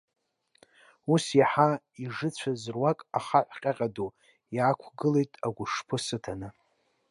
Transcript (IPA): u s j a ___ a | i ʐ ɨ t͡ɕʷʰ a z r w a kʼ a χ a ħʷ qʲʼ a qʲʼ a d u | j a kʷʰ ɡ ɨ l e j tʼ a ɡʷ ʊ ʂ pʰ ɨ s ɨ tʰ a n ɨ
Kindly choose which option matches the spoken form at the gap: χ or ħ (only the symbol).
ħ